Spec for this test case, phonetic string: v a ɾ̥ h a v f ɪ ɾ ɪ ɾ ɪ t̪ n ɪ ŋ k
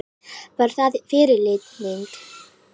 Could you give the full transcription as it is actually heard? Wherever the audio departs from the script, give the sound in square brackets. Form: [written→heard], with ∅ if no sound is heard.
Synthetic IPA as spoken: v a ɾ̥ [h→θ] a [v→ð] f ɪ ɾ ɪ [ɾ→l] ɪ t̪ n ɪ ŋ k